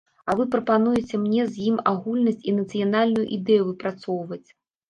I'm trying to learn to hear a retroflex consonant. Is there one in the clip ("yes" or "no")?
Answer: no